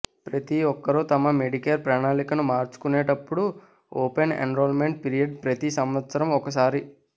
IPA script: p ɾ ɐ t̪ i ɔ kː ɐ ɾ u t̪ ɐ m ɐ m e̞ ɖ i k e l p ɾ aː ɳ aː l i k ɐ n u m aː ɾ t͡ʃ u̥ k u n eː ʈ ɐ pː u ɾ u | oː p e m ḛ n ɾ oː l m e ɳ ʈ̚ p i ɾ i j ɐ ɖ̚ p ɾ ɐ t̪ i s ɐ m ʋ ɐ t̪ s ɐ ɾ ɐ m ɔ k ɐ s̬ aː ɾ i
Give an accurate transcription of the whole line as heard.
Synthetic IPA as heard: p ɾ ɐ t̪ i ɔ kː ɐ ɾ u t̪ ɐ m ɐ m e̞ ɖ i k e l p ɾ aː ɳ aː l i k ɐ n u m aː ɾ t͡ʃ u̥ k u n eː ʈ ɐ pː u ɽ u | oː p e n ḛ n ɾ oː l m e ɳ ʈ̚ p i ɾ i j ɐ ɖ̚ p ɾ ɐ t̪ i s ɐ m ʋ ɐ t̪ s ɐ ɾ ɐ m ɔ k ɐ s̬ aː ɾ i